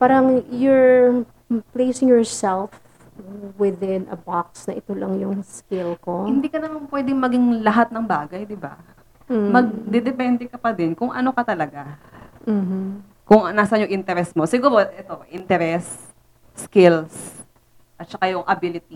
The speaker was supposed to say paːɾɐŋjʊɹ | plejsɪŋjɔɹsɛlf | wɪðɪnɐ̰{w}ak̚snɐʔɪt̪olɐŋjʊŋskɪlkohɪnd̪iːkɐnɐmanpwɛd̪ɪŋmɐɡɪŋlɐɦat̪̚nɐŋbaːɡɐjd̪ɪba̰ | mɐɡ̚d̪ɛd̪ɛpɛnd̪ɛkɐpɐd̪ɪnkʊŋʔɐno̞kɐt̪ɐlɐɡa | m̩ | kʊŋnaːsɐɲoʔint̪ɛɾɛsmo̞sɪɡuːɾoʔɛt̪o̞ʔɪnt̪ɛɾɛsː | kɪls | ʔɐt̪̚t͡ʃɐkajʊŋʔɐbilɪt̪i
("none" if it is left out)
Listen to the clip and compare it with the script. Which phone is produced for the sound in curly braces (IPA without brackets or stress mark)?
b